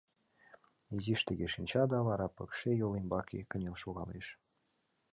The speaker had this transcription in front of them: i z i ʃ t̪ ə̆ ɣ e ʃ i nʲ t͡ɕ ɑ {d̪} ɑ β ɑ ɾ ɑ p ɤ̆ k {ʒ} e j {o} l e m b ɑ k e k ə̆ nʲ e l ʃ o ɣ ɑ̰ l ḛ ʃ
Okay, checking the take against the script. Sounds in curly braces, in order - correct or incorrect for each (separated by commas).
correct, incorrect, correct